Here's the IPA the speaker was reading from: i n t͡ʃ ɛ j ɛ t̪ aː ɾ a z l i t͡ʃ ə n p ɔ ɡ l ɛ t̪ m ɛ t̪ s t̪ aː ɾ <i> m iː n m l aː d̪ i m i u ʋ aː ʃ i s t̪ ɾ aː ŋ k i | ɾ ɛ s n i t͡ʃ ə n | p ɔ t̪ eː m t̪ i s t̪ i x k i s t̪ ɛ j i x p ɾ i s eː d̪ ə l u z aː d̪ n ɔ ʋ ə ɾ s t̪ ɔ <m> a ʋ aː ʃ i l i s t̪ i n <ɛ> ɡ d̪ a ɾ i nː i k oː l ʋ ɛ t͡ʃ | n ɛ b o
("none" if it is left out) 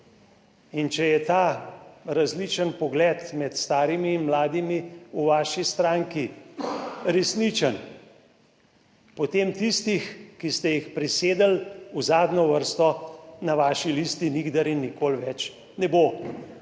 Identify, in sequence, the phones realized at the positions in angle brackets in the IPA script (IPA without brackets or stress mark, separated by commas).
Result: i, n, i